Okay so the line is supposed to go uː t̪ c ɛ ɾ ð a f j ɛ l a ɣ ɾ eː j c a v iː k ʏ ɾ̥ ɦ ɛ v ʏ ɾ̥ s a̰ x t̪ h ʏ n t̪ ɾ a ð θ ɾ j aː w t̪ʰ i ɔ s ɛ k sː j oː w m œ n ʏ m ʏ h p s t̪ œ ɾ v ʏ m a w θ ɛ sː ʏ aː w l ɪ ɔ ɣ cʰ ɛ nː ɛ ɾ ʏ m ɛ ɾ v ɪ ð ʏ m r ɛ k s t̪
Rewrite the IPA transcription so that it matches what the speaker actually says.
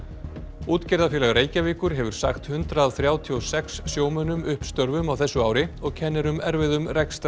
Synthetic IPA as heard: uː t̪ c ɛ ɾ ð a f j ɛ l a ɣ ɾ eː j c a v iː k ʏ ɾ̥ ɦ ɛ v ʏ ɾ̥ s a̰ x t̪ h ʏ n t̪ ɾ a ð θ ɾ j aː w t̪ʰ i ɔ s ɛ k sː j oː w m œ n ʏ m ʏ h p s t̪ œ ɾ v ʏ m a w θ ɛ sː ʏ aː w ɾ ɪ ɔ ɣ cʰ ɛ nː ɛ ɾ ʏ m ɛ ɾ v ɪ ð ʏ m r ɛ k s t̪